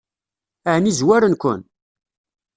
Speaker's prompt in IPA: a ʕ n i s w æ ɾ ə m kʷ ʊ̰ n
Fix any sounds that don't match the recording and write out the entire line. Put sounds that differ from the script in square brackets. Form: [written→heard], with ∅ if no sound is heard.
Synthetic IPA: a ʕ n i [s→z] w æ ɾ ə [m→n] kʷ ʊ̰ n

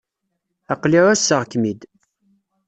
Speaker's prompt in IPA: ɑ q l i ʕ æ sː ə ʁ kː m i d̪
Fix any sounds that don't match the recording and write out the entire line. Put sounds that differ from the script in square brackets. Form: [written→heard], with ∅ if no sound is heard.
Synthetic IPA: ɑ q l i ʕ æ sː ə ʁ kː m i d̪

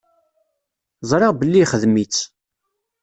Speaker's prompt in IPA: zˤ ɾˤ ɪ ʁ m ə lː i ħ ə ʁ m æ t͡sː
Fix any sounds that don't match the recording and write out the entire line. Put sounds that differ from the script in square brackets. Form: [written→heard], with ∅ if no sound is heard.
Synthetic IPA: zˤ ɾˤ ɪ ʁ [m→b] ə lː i [ħ→χ] ə [ʁ→ð] m [æ→i] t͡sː

